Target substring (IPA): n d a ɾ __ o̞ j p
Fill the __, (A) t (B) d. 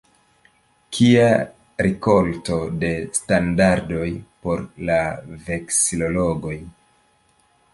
B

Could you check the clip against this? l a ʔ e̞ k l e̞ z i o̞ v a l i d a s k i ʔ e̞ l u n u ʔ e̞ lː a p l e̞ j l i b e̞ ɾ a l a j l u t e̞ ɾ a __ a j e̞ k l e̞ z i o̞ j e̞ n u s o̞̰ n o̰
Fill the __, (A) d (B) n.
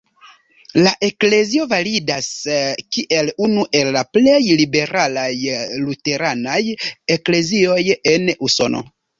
B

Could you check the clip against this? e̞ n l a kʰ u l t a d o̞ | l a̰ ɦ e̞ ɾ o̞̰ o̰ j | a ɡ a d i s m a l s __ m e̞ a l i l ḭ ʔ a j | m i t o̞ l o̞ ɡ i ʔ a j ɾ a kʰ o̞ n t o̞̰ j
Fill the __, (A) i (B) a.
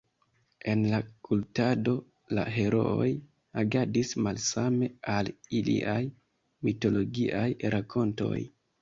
B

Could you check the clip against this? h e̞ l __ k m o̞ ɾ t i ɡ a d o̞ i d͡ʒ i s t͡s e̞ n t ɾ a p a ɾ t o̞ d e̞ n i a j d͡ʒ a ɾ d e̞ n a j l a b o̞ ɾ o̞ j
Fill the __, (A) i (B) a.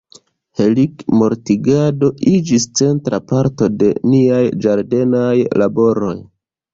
A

